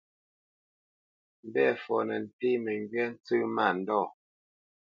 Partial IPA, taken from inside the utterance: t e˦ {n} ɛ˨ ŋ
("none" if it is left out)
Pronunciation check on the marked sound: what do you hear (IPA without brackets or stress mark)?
m